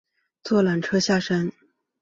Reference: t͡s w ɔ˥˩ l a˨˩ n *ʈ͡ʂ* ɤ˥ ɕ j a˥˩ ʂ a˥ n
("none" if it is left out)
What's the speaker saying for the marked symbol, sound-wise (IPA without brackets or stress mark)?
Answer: ʈ͡ʂʰ